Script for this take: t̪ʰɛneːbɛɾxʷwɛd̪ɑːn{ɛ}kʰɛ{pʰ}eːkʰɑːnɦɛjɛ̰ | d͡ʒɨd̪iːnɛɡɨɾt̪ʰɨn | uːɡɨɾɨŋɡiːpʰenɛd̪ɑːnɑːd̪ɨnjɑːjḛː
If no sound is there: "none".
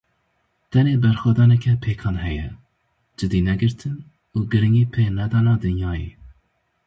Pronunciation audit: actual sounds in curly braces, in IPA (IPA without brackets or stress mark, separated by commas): ɛ, pʰ